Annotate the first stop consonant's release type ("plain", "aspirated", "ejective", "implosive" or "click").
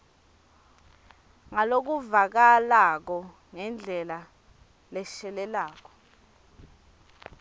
plain